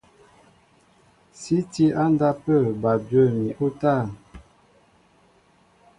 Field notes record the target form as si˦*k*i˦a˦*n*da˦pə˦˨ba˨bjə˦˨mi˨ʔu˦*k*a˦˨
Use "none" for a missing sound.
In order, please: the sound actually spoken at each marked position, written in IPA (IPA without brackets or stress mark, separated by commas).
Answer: t, n, t